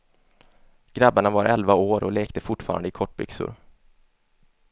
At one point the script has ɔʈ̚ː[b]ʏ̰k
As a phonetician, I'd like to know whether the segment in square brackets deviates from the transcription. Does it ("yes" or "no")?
no